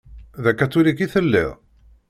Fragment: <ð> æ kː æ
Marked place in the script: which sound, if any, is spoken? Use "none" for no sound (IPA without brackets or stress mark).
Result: ð